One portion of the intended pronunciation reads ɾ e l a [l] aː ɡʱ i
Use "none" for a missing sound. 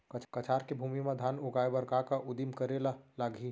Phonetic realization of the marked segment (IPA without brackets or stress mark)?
l